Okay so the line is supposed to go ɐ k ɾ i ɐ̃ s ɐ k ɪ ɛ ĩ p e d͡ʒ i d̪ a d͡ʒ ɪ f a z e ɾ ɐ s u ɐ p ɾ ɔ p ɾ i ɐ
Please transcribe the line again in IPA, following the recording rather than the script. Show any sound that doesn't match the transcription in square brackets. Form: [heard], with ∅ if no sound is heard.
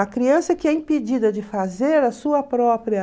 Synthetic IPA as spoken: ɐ k ɾ i ɐ̃ s ɐ k ɪ ɛ ĩ p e d͡ʒ i d̪ [ɐ] d͡ʒ ɪ f a z e ɾ ɐ s u ɐ p ɾ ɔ p ɾ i ɐ